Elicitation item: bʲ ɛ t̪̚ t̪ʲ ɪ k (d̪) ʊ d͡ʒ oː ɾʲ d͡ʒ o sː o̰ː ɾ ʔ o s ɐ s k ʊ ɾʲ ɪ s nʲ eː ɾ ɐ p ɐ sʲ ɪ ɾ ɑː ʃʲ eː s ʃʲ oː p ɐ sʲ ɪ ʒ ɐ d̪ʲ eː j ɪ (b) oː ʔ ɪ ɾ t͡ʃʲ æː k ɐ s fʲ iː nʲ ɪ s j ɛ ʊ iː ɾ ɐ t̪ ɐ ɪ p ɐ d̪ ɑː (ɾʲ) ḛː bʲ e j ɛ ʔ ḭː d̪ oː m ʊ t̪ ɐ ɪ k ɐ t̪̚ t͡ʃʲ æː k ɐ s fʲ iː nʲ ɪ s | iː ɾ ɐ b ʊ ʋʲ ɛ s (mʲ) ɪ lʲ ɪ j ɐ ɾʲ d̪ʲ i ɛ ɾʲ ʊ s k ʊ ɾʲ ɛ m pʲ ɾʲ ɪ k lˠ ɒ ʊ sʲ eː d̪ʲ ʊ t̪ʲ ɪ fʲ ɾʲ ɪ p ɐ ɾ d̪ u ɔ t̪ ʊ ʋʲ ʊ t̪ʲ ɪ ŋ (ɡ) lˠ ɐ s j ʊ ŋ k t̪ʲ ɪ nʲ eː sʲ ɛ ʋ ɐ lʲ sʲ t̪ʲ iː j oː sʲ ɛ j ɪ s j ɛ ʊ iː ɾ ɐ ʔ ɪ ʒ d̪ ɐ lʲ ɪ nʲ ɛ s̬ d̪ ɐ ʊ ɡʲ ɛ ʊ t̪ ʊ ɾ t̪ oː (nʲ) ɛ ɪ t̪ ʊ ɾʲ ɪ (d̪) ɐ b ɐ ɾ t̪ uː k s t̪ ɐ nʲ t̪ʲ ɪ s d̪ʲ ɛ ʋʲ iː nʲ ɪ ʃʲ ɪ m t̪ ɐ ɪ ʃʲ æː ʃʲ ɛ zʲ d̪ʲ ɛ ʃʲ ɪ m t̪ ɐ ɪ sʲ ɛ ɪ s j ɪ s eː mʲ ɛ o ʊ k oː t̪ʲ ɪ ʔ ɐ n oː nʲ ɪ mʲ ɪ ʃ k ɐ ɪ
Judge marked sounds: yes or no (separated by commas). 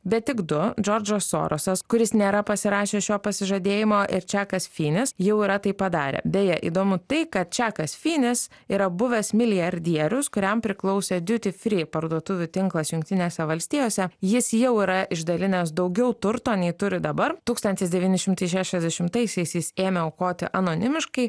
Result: yes, no, yes, yes, no, yes, yes